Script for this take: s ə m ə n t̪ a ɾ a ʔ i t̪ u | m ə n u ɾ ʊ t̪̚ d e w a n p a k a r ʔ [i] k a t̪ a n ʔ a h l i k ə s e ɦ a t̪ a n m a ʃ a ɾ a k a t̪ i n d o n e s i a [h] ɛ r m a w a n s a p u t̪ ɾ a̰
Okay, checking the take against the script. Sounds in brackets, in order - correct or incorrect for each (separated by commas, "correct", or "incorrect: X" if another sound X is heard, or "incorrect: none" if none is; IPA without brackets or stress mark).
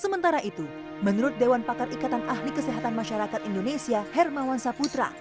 correct, correct